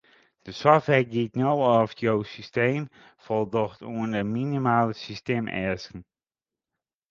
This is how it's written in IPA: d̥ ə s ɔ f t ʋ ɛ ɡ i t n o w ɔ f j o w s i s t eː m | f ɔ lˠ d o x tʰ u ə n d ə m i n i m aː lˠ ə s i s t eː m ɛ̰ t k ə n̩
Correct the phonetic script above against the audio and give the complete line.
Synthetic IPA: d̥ ə s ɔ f t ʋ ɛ ɡ i t n o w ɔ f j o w s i s t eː m | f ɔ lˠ d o x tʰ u ə n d ə m i n i m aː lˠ ə s i s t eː m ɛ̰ s k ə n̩